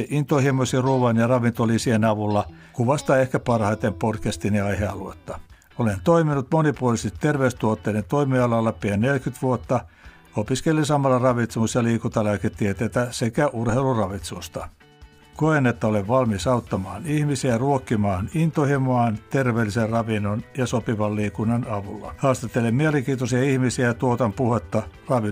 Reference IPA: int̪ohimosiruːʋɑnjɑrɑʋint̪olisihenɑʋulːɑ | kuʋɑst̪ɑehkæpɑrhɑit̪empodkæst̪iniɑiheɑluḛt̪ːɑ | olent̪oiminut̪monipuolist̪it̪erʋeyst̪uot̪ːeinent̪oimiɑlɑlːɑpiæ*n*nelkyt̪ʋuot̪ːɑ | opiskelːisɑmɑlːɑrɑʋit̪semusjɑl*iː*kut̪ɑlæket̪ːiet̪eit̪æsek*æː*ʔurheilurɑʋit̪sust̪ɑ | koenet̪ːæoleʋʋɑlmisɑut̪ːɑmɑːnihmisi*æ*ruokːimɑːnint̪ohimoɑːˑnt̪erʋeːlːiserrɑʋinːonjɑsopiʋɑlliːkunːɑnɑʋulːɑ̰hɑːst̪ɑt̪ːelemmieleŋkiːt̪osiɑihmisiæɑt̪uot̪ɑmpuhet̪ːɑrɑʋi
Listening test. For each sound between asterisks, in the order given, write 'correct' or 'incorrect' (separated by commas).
correct, correct, incorrect, correct